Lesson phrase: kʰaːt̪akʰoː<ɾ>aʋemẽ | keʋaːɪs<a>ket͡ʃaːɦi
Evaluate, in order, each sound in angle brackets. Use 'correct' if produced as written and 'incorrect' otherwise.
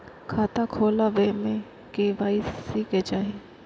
incorrect: l, incorrect: i

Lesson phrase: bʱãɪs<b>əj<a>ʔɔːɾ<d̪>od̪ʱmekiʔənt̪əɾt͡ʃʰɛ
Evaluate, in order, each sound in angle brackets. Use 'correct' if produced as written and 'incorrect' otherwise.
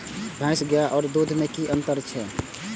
incorrect: ɡ, correct, correct

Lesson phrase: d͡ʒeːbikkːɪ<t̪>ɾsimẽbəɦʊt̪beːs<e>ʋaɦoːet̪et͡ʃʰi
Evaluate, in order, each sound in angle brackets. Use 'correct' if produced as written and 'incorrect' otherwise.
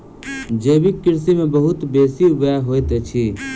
incorrect: none, incorrect: i

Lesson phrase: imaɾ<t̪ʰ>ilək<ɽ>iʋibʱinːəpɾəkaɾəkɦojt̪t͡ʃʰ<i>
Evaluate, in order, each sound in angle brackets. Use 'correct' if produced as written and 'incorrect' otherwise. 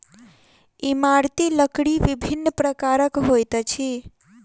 incorrect: t̪, correct, correct

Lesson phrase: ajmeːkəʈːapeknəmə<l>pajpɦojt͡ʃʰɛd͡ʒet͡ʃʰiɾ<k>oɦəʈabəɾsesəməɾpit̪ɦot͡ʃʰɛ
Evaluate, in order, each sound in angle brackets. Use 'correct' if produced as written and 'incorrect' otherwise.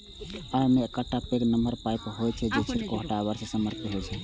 incorrect: ɾ, correct

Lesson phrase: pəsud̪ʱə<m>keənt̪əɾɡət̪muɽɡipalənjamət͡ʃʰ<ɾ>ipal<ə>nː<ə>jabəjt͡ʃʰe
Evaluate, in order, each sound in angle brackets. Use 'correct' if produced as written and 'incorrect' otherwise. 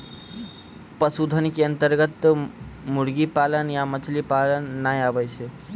incorrect: n, incorrect: l, correct, incorrect: a

